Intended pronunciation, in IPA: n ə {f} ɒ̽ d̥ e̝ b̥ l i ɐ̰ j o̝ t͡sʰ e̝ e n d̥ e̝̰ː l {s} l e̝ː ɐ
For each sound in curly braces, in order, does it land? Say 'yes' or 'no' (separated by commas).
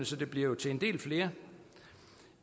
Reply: no, no